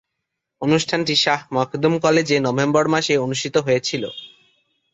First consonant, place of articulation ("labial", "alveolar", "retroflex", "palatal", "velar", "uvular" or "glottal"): alveolar